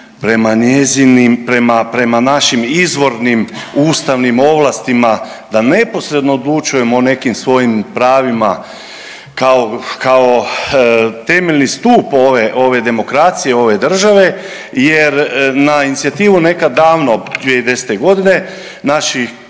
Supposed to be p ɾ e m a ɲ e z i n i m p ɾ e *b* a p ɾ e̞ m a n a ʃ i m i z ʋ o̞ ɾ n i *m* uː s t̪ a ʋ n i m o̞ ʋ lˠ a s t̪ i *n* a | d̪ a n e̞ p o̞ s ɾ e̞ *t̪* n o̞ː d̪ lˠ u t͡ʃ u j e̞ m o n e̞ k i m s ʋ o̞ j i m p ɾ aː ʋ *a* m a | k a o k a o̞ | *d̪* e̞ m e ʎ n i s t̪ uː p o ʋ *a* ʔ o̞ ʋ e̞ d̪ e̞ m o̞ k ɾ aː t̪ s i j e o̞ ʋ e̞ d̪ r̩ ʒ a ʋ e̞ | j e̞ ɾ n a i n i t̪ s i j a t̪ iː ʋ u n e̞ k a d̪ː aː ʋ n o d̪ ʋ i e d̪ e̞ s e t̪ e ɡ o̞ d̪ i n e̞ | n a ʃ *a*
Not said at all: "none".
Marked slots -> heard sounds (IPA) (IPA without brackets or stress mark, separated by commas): m, m, m, d̪, i, t̪, e, i